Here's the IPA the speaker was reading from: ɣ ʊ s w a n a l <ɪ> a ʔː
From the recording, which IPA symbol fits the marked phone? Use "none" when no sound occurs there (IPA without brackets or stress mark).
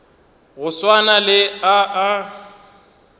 ɪ